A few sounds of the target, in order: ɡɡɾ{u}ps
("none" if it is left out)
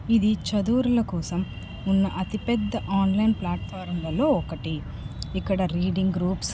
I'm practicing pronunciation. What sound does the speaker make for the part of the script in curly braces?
uː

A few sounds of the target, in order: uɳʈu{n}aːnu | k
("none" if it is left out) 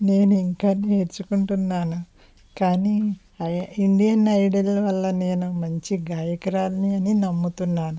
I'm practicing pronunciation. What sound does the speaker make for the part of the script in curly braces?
nː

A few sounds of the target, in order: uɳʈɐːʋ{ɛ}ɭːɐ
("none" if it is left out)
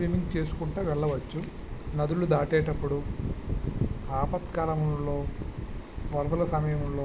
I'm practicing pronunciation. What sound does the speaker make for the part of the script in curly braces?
ɛ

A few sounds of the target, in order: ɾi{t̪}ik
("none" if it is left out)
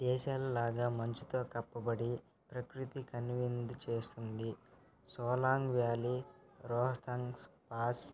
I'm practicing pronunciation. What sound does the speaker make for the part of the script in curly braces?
t̪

